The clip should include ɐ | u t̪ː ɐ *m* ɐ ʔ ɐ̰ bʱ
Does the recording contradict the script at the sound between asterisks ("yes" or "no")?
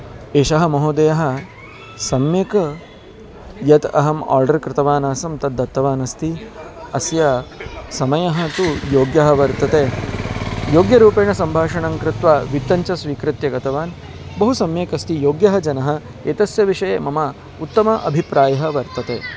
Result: no